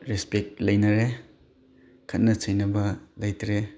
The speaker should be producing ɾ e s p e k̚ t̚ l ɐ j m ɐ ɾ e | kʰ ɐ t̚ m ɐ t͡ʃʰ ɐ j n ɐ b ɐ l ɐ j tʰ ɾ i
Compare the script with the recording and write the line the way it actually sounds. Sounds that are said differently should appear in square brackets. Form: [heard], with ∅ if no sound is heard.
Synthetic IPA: ɾ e s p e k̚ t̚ l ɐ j [n] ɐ ɾ e | kʰ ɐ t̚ [n] ɐ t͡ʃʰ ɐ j n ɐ b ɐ l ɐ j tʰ ɾ [e]